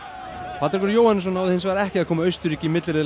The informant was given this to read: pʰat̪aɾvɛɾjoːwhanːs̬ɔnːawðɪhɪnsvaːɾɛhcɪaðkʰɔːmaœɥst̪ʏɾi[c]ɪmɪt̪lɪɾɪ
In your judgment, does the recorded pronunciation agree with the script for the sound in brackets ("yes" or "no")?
yes